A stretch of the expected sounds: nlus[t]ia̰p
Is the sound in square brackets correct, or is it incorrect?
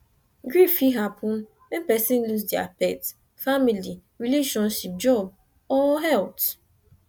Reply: incorrect: d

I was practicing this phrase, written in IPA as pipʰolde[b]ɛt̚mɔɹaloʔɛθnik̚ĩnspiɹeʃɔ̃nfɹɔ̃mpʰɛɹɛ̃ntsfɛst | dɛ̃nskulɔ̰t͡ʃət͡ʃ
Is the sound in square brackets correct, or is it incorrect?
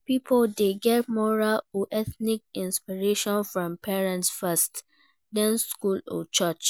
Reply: incorrect: ɡ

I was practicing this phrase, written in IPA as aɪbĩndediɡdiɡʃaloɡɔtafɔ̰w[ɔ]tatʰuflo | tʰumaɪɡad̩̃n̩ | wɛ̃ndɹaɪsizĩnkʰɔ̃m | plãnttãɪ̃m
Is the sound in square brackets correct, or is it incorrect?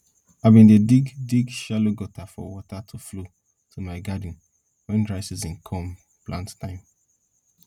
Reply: correct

